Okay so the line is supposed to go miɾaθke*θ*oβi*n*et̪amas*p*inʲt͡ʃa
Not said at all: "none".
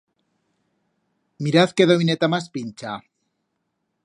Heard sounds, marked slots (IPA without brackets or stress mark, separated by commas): ð, n, p